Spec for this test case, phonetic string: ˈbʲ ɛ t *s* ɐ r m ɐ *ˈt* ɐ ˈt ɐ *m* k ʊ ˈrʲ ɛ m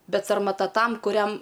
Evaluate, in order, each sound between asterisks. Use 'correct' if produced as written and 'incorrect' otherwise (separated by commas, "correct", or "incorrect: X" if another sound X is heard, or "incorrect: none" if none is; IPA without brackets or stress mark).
correct, correct, correct